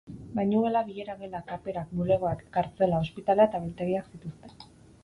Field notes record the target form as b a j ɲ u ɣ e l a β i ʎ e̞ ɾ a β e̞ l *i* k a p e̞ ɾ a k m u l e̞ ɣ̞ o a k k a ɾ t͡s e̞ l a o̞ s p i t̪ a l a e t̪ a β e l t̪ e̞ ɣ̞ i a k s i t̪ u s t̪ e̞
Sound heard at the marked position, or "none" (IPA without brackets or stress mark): a